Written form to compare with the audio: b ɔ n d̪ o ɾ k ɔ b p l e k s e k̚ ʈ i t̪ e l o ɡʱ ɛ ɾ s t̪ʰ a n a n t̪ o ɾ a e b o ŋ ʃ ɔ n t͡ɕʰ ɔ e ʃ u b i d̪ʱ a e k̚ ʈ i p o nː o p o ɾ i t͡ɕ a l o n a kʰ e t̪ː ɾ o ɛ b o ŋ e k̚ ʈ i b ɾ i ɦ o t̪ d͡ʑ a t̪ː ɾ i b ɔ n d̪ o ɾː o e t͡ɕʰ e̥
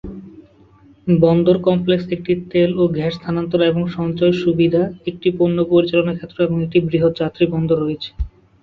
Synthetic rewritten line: b ɔ n d̪ o ɾ k ɔ m p l e k s e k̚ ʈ i t̪ e l o ɡʱ ɛ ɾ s t̪ʰ a n a n t̪ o ɾ a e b o ŋ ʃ ɔ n t͡ɕ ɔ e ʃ u b i d̪ʱ a e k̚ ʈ i p o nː o p o ɾ i t͡ɕ a l o n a kʰ e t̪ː ɾ o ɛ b o ŋ e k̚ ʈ i b ɾ i ɦ o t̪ d͡ʑ a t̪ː ɾ i b ɔ n d̪ o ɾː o e t͡ɕʰ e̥